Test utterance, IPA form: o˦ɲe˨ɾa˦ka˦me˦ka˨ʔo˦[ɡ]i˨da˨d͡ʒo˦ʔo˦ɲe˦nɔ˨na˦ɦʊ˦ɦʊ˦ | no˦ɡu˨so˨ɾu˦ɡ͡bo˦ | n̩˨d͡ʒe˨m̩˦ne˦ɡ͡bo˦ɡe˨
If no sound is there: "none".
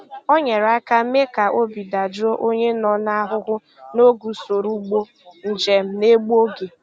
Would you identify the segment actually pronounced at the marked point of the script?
b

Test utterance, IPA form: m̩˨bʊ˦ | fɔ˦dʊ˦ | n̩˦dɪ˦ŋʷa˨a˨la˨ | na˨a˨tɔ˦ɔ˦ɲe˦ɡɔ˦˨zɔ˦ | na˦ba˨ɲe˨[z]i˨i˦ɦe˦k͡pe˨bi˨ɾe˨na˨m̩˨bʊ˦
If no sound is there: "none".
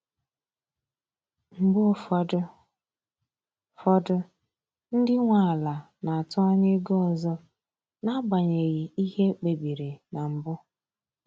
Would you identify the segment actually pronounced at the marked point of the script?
ɣ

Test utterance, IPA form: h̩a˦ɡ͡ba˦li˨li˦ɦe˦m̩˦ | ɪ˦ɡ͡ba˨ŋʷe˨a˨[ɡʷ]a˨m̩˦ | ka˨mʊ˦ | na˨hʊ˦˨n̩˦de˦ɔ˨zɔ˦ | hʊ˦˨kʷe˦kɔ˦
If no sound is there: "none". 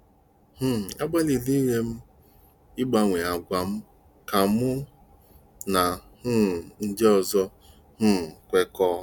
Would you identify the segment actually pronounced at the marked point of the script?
ɡʷ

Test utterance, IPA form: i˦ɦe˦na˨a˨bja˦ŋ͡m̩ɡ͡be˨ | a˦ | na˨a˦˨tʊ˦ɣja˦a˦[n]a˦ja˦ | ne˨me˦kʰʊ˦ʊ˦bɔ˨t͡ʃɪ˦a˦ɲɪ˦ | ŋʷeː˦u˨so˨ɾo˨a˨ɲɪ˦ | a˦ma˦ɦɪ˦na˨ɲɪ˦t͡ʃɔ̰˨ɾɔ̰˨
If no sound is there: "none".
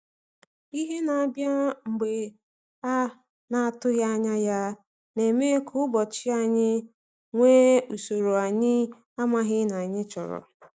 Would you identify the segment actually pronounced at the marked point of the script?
ɲ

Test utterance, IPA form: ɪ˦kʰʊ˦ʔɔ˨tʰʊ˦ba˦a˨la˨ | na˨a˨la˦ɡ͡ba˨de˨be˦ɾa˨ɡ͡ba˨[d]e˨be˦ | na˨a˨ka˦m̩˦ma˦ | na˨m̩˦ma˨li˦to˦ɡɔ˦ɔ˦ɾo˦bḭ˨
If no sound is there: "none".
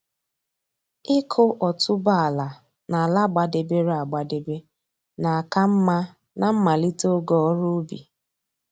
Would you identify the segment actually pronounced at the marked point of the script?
d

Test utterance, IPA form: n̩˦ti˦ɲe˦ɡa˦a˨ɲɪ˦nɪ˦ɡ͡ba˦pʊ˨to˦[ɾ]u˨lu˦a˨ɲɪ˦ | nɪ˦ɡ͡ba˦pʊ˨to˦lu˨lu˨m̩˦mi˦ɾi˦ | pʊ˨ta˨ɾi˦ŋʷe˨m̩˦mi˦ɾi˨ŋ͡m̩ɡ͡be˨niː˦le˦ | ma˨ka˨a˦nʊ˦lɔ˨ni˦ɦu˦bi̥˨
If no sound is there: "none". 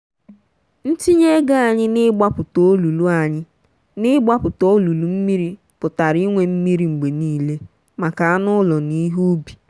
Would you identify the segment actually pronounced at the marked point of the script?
l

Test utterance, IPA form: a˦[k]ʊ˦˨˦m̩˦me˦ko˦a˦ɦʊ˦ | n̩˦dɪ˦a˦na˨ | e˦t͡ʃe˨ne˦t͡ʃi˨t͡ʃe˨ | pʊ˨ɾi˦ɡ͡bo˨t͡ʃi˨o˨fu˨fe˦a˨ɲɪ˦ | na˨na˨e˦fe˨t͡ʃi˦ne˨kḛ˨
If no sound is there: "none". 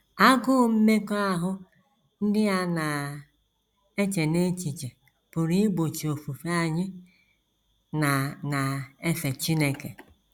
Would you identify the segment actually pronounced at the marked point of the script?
ɡ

